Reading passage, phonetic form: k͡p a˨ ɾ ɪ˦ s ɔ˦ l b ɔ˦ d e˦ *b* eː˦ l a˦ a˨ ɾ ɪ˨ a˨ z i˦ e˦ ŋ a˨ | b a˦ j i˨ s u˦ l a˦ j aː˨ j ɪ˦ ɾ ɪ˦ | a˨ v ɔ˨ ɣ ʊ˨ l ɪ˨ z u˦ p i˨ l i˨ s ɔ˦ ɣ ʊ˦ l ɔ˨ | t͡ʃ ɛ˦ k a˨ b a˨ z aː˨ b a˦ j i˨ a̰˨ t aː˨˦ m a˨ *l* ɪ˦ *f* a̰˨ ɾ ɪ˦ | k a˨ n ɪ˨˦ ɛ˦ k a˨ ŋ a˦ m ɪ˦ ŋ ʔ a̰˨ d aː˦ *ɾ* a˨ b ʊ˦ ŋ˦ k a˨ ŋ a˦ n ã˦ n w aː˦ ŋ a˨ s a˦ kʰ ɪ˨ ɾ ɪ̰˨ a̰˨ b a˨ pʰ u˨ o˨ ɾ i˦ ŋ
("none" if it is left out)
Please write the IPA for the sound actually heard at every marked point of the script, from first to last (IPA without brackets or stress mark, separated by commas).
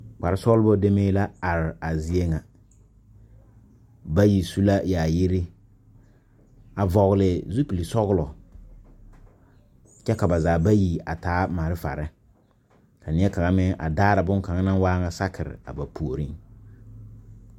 m, ɾ, f, ɾ